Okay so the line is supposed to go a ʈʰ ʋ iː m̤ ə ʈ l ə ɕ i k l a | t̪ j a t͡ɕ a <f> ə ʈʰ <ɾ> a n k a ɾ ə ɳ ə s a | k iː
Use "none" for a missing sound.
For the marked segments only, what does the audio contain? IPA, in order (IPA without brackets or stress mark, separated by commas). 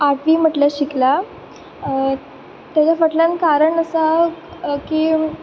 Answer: f, l